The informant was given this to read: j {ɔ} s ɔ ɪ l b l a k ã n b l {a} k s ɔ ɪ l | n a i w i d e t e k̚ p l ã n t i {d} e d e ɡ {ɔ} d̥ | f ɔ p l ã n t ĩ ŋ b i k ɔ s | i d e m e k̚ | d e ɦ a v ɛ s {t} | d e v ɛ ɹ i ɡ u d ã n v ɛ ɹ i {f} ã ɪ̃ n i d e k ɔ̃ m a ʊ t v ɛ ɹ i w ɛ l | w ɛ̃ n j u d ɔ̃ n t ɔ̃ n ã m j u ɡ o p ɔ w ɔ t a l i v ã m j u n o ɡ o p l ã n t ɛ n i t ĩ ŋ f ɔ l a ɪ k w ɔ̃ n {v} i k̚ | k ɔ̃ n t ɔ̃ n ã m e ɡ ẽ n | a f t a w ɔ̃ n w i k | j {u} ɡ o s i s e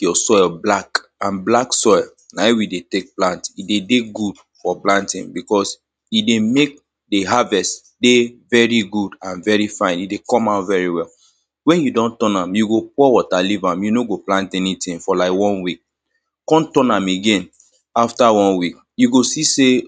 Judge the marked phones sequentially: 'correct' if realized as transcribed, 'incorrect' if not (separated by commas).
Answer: correct, correct, correct, incorrect, correct, correct, incorrect, correct